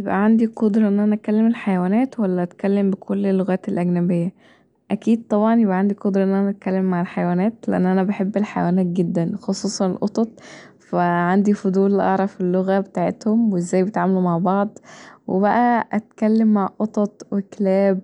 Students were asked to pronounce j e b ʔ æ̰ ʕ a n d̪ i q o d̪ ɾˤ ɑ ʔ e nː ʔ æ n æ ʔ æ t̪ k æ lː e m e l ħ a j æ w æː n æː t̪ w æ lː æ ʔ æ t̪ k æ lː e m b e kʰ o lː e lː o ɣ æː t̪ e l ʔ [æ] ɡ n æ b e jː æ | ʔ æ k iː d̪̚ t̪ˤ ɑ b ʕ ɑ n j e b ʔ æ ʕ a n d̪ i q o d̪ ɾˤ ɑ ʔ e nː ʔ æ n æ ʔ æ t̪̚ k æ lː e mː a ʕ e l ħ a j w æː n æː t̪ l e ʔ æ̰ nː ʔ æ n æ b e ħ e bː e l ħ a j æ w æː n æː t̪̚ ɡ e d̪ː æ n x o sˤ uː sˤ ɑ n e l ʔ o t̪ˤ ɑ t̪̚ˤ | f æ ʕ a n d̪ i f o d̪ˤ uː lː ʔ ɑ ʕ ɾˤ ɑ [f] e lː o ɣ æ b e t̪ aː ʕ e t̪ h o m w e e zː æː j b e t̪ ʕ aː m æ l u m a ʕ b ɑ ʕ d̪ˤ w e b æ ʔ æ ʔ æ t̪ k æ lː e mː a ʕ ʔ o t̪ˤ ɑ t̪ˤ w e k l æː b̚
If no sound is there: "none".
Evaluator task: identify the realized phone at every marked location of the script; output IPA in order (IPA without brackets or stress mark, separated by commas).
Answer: æ, f